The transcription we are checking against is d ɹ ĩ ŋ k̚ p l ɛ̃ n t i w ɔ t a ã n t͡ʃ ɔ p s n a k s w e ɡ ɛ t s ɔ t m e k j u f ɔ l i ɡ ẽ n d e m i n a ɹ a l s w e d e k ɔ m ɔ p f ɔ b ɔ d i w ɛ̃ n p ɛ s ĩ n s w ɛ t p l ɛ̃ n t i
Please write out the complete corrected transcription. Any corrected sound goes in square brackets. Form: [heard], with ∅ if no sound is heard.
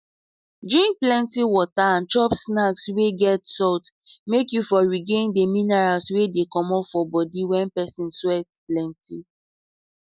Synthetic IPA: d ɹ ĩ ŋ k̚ p l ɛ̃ n t i w ɔ t a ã n t͡ʃ ɔ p s n a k s w e ɡ ɛ t s ɔ t m e k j u f ɔ [ɹ] i ɡ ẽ n d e m i n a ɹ a l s w e d e k ɔ m ɔ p f ɔ b ɔ d i w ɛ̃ n p ɛ s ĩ n s w ɛ t p l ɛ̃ n t i